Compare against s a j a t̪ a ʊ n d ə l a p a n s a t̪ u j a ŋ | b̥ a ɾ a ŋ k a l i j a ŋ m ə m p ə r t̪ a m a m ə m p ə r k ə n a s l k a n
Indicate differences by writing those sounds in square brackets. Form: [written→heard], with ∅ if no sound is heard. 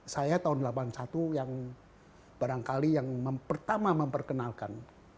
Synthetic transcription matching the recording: s a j a t̪ a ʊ n d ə l a p a n s a t̪ u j a ŋ | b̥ a ɾ a ŋ k a l i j a ŋ m ə m p ə r t̪ a m a m ə m p ə r k ə n a [s→∅] l k a n